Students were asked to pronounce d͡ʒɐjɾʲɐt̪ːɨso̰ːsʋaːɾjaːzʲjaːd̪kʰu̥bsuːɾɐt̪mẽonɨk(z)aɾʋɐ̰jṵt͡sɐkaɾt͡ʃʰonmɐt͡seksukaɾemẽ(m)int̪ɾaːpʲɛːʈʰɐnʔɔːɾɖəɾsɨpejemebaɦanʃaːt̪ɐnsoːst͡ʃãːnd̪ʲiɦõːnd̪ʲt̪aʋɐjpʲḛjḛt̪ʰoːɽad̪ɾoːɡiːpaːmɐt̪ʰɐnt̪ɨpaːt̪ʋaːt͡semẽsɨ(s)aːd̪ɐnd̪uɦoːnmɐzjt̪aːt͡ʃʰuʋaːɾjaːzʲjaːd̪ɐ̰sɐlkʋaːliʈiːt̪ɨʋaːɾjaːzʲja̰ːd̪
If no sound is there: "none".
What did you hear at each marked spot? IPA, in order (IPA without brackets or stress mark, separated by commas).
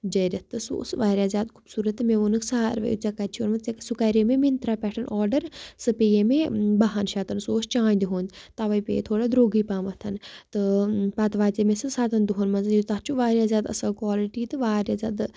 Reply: s, m, s